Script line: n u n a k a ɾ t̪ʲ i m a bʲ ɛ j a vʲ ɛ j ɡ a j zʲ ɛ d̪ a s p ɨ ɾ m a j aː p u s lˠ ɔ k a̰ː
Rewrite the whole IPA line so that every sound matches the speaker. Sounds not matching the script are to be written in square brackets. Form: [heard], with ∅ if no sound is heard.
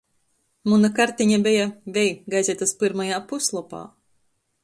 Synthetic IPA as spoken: [m] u n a k a ɾ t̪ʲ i [ɲ] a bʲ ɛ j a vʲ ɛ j ɡ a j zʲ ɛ [t̪] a s p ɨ ɾ m a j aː p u s lˠ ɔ [p] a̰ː